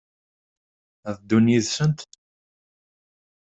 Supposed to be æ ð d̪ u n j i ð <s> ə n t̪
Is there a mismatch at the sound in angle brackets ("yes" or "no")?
no